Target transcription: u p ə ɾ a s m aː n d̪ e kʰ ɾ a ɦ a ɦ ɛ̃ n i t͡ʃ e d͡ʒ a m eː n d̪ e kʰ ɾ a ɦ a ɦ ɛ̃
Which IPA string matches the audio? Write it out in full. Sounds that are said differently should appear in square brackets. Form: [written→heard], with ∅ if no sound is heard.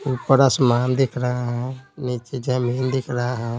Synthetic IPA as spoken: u p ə ɾ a s m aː n d̪ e kʰ ɾ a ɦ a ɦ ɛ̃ n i t͡ʃ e d͡ʒ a m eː n d̪ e kʰ ɾ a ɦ a ɦ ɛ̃